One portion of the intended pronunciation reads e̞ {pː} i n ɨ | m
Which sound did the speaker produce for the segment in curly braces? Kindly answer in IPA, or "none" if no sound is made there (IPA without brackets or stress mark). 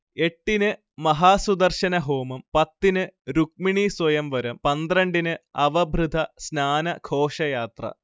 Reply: ʈː